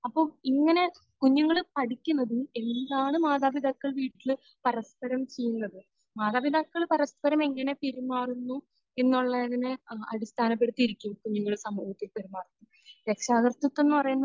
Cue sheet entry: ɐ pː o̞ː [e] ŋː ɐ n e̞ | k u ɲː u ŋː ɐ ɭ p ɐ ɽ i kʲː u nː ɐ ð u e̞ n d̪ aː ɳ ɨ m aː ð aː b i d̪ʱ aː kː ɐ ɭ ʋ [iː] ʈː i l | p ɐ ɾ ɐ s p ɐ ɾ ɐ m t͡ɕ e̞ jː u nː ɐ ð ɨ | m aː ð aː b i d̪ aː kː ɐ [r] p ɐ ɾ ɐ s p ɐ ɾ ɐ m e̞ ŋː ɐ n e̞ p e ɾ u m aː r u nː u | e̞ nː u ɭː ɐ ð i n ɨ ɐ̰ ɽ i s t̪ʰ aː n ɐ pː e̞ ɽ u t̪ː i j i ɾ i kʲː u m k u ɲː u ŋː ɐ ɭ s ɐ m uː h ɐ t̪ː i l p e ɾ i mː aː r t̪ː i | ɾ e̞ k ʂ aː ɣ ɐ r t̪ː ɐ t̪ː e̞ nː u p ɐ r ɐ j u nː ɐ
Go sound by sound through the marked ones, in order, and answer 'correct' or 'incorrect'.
incorrect: i, correct, incorrect: ɭ

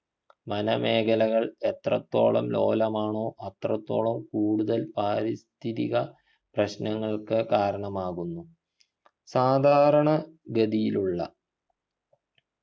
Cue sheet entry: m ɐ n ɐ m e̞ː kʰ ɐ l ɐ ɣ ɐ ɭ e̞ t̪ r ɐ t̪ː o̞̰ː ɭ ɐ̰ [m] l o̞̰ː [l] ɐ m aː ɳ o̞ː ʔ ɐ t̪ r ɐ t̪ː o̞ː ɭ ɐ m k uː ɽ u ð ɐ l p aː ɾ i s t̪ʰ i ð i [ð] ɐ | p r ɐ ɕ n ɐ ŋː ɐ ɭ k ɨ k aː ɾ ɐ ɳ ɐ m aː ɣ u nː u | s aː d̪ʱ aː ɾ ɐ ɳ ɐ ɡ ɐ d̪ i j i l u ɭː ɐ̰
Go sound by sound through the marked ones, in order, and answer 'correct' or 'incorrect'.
correct, correct, incorrect: ɣ

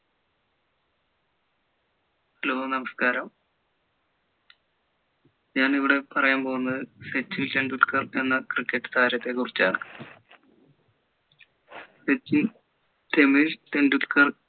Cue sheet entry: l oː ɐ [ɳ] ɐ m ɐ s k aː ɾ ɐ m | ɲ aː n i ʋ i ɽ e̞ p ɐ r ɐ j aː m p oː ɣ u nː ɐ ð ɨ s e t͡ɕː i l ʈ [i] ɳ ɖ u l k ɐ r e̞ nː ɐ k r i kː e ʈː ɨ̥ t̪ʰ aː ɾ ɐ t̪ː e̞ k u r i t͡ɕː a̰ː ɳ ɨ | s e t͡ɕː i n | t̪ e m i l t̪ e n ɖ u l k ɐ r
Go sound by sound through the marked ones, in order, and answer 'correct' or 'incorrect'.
incorrect: n, incorrect: e

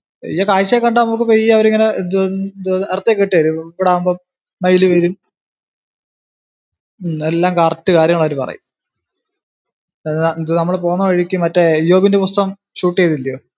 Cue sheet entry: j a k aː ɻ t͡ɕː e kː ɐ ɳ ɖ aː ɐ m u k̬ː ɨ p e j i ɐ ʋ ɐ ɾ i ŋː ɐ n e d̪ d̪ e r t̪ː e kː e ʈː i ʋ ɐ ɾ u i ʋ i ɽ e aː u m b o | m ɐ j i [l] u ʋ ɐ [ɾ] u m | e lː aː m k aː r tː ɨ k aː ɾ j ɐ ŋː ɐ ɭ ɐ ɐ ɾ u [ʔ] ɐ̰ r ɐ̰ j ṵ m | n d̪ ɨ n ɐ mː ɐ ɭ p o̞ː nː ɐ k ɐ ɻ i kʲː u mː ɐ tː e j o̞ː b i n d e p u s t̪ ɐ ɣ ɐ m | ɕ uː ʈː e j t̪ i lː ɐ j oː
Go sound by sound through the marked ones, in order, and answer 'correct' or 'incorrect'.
correct, correct, incorrect: p

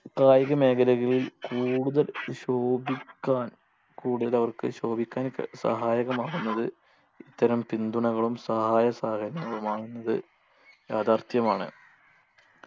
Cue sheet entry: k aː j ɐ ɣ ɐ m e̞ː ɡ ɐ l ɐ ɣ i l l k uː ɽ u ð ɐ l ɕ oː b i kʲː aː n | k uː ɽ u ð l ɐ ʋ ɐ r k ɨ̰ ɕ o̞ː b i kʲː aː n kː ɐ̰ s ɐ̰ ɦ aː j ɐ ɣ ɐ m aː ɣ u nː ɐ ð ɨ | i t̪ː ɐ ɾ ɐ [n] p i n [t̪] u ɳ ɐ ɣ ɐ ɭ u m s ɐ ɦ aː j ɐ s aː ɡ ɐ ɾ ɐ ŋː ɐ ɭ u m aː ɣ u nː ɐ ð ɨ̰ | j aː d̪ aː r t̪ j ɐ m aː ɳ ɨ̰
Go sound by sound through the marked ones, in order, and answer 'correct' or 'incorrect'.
incorrect: m, incorrect: d̪

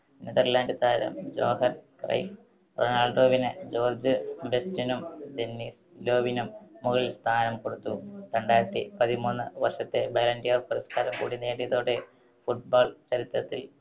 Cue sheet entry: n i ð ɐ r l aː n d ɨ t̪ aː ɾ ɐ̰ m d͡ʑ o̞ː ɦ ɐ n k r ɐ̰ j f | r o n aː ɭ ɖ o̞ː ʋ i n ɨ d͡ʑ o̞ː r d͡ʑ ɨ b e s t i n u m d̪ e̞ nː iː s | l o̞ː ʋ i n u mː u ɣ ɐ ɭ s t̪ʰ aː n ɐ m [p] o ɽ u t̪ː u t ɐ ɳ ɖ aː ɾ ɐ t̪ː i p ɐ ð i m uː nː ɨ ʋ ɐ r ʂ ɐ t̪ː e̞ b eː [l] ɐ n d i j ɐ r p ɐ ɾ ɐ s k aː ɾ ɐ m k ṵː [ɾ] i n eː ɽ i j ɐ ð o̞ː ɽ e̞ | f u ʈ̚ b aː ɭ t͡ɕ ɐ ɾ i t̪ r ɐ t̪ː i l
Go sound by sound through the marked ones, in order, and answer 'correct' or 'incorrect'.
incorrect: k, correct, incorrect: ɽ

